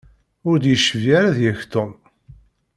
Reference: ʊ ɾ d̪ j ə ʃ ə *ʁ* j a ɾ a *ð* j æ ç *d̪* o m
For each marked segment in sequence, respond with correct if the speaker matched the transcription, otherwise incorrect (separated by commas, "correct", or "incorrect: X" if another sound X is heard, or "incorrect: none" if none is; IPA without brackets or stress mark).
incorrect: v, correct, incorrect: t̪